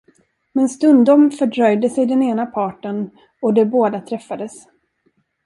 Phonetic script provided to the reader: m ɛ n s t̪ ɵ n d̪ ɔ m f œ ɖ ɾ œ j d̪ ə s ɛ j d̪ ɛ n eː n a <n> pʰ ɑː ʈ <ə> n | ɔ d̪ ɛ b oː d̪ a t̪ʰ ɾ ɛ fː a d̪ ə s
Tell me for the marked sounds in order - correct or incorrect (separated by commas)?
incorrect, correct